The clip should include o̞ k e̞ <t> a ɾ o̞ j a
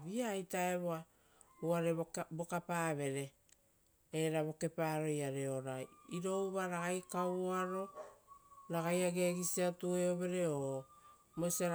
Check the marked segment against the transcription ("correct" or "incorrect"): incorrect